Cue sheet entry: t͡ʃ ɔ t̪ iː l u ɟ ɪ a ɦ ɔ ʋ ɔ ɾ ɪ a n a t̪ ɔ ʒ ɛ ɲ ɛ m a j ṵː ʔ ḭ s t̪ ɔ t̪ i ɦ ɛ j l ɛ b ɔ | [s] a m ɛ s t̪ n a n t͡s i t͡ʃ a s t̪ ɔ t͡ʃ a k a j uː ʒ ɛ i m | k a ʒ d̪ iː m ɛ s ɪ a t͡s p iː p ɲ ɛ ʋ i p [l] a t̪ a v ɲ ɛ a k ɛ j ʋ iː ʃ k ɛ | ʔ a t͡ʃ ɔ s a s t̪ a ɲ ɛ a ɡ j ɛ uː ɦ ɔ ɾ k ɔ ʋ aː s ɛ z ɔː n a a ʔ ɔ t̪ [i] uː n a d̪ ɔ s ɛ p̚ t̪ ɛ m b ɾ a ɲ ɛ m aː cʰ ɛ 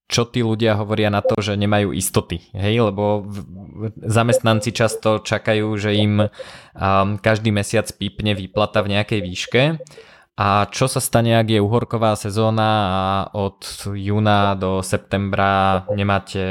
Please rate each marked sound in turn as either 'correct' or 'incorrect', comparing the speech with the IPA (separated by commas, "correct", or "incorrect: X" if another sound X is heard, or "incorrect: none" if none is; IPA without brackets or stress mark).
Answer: incorrect: z, correct, incorrect: j